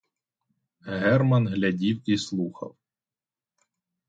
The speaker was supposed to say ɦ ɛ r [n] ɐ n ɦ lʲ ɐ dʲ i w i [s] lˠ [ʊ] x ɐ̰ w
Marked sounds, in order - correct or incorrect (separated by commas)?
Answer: incorrect, correct, incorrect